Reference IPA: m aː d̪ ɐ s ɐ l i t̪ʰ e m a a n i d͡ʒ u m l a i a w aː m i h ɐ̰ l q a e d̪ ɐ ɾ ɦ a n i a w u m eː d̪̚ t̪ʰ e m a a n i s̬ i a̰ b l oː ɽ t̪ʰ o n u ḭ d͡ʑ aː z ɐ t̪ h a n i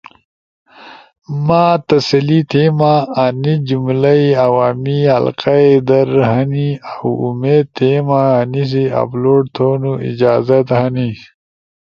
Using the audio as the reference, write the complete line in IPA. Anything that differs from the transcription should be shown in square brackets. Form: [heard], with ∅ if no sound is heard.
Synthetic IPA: m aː [t̪] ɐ s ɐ l i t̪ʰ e m a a n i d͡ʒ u m l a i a w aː m i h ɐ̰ l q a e d̪ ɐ ɾ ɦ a n i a w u m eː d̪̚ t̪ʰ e m a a n i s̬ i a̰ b l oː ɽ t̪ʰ o n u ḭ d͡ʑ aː z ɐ t̪ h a n i